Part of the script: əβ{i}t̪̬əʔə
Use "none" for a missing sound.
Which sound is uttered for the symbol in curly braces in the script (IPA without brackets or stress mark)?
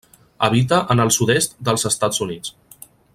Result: i